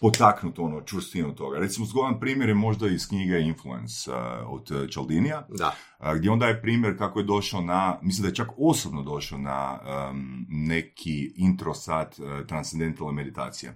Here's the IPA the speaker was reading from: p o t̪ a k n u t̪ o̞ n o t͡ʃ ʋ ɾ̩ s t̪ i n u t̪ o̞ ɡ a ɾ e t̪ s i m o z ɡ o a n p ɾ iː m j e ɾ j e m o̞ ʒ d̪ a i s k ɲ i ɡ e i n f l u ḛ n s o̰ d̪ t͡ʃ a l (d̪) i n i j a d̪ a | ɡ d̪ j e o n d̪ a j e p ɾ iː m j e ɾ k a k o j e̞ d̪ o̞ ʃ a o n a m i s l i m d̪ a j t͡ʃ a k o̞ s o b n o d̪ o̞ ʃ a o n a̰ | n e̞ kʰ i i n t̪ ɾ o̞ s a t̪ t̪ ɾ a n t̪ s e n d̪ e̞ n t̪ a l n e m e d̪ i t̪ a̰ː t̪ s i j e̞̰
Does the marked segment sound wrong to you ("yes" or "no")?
no